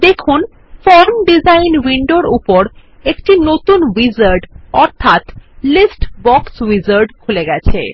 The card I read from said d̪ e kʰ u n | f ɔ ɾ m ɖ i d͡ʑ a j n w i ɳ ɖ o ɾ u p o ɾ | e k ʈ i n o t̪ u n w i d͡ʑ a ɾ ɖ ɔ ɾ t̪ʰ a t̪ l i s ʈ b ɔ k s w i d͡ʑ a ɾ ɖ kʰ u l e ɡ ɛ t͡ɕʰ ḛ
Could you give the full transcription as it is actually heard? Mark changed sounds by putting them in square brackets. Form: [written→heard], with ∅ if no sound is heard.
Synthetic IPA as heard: d̪ e kʰ u n | f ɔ ɾ m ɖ i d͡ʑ a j n w i ɳ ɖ o ɾ u p o ɾ | e k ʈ i n o t̪ u n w i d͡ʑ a ɾ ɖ ɔ ɾ t̪ʰ a t̪ l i s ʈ b ɔ k s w i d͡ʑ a ɾ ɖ kʰ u l e ɡ ɛ t͡ɕʰ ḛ